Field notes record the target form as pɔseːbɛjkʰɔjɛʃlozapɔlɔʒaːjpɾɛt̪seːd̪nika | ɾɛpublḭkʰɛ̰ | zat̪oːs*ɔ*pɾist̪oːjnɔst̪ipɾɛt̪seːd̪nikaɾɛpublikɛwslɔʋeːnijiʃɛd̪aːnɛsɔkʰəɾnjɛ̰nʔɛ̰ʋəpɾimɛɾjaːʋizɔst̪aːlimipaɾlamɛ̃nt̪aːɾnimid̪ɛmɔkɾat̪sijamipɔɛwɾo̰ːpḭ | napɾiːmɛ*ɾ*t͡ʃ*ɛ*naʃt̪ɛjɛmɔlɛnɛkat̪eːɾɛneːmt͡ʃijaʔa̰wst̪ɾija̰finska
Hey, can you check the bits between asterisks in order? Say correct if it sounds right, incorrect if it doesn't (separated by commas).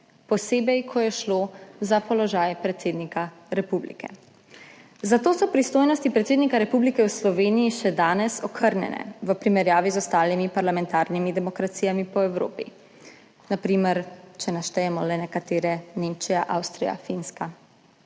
correct, correct, correct